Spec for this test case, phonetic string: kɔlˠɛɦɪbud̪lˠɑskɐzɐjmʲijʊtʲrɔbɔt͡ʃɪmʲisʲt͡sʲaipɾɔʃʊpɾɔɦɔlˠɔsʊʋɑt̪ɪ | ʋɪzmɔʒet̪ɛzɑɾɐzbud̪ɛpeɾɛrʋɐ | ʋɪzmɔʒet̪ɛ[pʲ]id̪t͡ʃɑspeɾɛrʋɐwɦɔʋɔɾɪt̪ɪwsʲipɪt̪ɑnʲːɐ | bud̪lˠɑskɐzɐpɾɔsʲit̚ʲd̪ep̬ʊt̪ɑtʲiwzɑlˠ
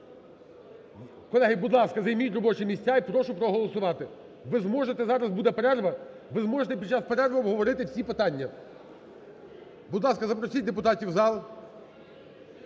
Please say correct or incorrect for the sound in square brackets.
correct